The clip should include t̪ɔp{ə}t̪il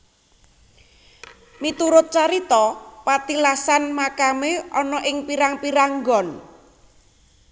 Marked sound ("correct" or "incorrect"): incorrect